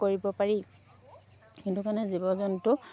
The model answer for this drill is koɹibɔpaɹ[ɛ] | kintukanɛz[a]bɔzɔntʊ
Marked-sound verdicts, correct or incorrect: incorrect: i, incorrect: i

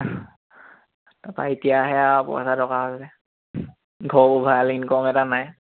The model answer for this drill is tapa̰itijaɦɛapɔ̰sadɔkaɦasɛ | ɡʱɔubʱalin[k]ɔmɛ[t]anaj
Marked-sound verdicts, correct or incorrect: correct, correct

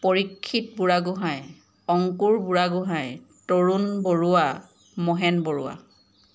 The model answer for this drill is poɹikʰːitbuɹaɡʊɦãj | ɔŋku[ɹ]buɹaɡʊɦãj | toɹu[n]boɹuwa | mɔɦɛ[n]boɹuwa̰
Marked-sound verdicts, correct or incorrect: correct, correct, correct

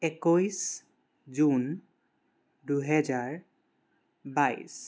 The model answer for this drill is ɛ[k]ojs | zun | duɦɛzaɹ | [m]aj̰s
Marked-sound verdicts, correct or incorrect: correct, incorrect: b

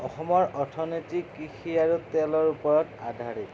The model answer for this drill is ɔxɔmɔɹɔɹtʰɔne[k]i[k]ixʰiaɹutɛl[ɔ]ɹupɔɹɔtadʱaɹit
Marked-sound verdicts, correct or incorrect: incorrect: t, correct, correct

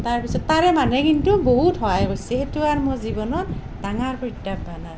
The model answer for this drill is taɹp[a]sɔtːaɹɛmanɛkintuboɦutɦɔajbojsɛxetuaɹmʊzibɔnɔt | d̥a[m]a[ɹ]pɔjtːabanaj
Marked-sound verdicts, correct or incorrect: incorrect: i, incorrect: ŋ, correct

